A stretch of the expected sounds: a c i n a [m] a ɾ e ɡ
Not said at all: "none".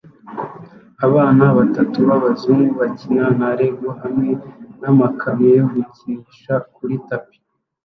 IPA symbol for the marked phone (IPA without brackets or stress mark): n